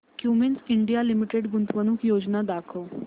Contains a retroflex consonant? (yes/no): yes